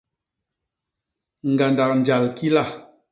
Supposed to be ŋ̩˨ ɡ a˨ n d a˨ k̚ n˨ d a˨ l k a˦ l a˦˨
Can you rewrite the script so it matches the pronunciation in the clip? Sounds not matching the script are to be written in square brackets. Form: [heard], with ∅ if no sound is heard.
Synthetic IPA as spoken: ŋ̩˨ ɡ a˨ n d a˨ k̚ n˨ [d͡ʒ] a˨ l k [i˦] l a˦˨